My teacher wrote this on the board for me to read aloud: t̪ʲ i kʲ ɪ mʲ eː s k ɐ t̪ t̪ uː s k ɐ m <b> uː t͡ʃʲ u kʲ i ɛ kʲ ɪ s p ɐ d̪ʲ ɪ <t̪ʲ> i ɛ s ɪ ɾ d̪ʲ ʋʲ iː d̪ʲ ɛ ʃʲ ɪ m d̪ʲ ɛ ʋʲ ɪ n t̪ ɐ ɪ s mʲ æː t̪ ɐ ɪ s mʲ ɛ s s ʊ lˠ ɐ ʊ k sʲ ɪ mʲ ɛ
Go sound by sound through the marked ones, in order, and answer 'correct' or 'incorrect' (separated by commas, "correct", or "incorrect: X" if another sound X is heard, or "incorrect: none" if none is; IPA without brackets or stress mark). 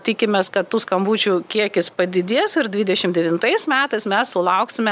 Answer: correct, incorrect: d̪ʲ